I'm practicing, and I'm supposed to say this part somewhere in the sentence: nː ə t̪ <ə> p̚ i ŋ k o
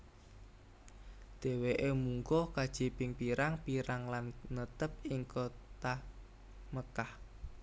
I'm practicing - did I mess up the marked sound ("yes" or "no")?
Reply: no